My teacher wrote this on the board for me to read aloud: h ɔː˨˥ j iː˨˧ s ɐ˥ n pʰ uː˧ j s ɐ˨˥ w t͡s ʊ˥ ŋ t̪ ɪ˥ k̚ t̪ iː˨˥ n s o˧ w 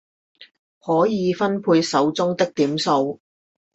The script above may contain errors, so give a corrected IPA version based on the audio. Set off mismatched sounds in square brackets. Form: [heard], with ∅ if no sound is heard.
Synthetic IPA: h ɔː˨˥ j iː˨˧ [f] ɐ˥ n pʰ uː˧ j s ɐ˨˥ w t͡s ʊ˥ ŋ t̪ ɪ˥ k̚ t̪ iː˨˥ [m] s o˧ w